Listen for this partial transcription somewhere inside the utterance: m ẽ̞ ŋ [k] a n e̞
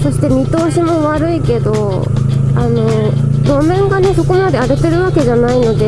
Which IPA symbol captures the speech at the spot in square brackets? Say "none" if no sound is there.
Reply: ɡ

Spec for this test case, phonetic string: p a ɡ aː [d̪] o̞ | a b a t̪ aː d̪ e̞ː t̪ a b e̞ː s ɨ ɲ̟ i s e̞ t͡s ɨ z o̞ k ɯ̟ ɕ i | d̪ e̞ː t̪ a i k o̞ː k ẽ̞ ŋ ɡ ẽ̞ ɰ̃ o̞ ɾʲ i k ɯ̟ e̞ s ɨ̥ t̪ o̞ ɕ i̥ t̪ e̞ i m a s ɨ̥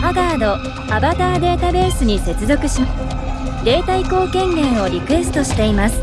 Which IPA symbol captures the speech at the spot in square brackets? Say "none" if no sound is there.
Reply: d̪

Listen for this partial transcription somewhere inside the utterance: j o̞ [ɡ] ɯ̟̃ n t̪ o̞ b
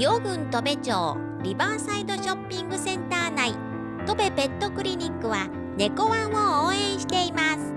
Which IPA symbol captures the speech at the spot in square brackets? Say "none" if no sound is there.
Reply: ɡ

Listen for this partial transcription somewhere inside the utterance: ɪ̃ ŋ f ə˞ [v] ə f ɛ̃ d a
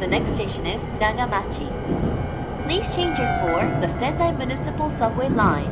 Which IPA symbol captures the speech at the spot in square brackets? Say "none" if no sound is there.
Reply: ð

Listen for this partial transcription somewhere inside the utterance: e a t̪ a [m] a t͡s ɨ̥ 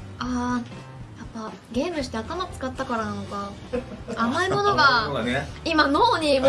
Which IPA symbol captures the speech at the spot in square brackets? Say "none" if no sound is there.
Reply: m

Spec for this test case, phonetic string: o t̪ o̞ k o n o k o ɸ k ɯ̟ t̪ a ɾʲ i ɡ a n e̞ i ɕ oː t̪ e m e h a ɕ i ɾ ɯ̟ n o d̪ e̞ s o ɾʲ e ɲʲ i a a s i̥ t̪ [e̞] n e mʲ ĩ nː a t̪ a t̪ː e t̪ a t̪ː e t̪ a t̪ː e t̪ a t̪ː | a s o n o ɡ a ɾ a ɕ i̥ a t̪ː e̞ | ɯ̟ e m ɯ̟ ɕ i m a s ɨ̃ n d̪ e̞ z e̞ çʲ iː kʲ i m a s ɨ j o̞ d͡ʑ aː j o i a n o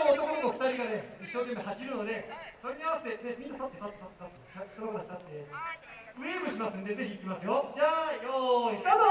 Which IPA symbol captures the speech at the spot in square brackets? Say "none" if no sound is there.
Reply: e̞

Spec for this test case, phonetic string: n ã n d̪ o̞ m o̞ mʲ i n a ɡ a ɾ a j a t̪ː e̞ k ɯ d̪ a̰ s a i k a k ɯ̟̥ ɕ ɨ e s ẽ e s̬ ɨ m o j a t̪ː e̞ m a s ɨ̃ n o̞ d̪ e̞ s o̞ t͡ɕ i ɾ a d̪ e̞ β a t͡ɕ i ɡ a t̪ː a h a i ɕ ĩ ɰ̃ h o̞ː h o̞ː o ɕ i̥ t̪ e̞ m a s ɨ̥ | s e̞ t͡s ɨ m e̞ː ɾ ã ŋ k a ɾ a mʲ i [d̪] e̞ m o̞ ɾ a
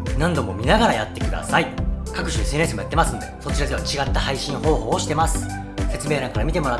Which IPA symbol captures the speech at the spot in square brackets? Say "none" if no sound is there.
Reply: t̪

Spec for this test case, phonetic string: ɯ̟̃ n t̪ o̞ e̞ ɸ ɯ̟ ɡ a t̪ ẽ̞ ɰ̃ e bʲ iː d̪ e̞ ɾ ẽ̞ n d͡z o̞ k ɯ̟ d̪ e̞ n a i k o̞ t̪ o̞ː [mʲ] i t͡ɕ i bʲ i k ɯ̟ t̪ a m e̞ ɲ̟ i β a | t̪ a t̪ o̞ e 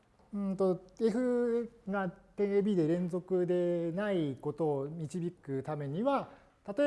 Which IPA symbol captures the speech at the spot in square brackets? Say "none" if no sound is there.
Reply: mʲ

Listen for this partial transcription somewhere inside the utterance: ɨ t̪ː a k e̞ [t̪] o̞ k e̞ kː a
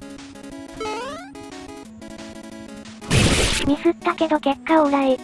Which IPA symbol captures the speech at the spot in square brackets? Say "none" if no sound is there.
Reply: d̪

